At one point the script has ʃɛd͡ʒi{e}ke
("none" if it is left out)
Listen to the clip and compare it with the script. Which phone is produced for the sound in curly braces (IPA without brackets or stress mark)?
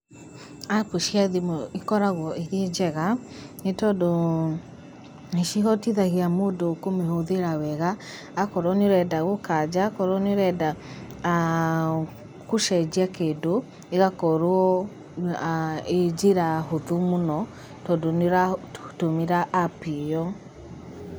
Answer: a